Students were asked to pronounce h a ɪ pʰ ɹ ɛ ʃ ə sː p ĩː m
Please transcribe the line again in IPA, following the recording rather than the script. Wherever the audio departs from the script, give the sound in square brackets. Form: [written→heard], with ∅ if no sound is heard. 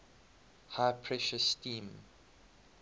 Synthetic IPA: h a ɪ pʰ ɹ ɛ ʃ ə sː [p→t] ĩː m